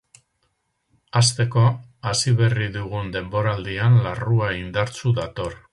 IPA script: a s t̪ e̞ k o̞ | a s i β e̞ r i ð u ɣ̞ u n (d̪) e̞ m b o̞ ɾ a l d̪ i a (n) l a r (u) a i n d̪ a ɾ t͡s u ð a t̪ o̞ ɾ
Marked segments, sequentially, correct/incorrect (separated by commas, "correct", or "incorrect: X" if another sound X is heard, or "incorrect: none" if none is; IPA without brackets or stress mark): correct, correct, correct